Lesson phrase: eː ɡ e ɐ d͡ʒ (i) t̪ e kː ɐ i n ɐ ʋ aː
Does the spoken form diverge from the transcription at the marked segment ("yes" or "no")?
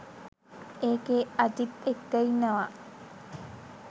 no